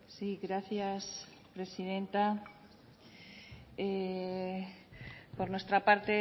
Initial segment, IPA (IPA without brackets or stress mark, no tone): s